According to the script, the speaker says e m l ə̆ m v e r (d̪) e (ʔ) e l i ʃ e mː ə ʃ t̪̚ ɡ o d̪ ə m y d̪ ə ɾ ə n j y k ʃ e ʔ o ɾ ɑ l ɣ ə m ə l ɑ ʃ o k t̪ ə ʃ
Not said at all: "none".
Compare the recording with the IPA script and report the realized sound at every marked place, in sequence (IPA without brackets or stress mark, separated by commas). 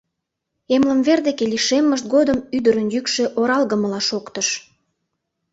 d̪, k